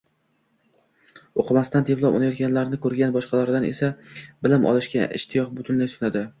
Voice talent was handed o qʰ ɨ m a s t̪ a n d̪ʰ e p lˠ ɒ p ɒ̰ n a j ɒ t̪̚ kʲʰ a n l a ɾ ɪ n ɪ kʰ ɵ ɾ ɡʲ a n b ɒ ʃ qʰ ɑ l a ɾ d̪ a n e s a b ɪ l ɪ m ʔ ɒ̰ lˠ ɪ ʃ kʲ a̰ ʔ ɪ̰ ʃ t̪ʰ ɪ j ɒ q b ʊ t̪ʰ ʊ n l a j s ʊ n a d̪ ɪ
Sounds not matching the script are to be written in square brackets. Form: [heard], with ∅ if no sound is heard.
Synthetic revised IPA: o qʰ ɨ m a s t̪ a n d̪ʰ e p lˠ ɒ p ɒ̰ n a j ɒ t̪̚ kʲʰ a n l a ɾ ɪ n ɪ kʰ ɵ ɾ ɡʲ a n b ɒ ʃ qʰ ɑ l a ɾ d̪ a n e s a b ɪ l ɪ m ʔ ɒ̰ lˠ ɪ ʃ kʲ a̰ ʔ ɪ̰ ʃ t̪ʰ ɪ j ɒ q b ʊ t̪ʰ ʊ n l a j s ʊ n a d̪ ɪ